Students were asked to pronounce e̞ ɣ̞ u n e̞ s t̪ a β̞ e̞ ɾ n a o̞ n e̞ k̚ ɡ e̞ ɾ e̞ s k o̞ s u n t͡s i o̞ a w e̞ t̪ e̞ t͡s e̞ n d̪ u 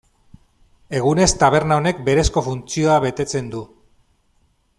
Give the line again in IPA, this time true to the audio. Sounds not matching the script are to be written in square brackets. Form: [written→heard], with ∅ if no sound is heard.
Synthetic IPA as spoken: e̞ ɣ̞ u n e̞ s t̪ a β̞ e̞ ɾ n a o̞ n e̞ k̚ [ɡ→b] e̞ ɾ e̞ s k o̞ [s→f] u n t͡s i o̞ a [w→β] e̞ t̪ e̞ t͡s e̞ n d̪ u